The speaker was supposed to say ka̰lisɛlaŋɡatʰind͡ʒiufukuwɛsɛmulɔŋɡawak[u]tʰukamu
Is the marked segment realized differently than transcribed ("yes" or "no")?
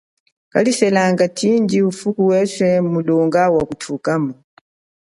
no